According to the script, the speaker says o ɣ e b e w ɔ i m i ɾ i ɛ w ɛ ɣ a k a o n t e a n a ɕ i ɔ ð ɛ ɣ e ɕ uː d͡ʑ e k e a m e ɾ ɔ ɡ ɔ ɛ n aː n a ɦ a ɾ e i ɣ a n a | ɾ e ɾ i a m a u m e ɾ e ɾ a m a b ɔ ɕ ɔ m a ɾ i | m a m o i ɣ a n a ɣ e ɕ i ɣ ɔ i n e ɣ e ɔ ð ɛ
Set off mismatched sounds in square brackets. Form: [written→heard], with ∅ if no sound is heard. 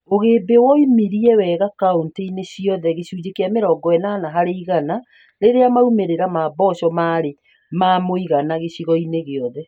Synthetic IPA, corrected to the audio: o ɣ e b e w ɔ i m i ɾ i ɛ w ɛ ɣ a k a o n t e [a→i] n [a→e] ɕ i ɔ ð ɛ ɣ e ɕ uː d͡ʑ e k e a m e ɾ ɔ ɡ ɔ ɛ n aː n a ɦ a ɾ e i ɣ a n a | ɾ e ɾ [i→e] a m a u m e ɾ e ɾ a m a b ɔ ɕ ɔ m a ɾ [i→e] | m a m o i ɣ a n a ɣ e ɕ i ɣ ɔ i n e ɣ e ɔ ð ɛ